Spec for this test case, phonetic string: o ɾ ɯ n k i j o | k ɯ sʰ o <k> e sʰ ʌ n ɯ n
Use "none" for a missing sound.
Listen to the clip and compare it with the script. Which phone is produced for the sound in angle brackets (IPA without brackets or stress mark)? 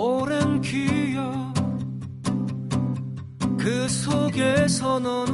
ɡ